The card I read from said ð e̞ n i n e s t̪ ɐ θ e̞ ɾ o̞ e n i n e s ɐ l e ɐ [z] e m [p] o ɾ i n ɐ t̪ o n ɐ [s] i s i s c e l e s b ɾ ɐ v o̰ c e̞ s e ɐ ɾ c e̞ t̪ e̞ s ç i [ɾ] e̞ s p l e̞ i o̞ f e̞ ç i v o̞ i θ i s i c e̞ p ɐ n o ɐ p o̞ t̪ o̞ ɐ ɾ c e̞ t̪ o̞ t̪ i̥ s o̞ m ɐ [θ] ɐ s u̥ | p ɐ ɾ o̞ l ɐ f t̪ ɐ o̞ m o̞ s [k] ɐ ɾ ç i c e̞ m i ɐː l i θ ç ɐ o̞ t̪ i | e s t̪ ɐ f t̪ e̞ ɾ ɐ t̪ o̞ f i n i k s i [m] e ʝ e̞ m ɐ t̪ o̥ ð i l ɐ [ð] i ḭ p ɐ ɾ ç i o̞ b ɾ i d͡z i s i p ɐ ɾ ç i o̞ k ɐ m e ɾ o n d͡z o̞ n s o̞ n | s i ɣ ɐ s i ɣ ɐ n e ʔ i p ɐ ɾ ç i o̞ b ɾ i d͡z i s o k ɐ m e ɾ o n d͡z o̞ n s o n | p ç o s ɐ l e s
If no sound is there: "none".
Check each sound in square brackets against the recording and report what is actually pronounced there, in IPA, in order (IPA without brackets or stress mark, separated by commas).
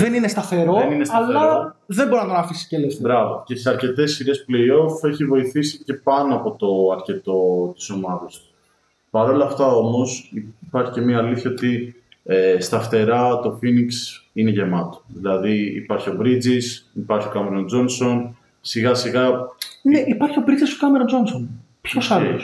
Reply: ð, b, f, ɾ, ð, p, n, ð